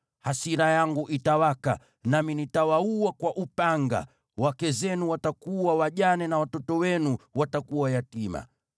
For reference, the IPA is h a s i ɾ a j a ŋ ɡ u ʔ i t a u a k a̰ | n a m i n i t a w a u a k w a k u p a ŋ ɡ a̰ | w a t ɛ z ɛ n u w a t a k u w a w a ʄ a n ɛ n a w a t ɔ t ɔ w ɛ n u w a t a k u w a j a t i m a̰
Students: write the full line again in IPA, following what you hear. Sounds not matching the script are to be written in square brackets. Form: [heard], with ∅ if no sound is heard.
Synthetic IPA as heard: h a s i ɾ a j a ŋ ɡ u ʔ i t a [w] a k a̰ | n a m i n i t a w a u a k w a [ʔ] u p a ŋ ɡ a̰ | w a [k] ɛ z ɛ n u w a t a k u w a w a ʄ a n ɛ n a w a t ɔ t ɔ w ɛ n u w a t a k u w a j a t i m a̰